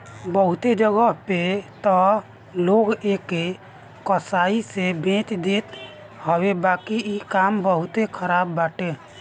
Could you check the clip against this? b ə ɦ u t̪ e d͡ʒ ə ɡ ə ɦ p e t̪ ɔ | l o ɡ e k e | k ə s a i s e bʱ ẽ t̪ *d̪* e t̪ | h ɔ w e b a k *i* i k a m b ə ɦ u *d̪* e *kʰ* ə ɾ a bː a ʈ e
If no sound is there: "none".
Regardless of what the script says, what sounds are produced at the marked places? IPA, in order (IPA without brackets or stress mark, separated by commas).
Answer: d̪, i, t̪, kʰ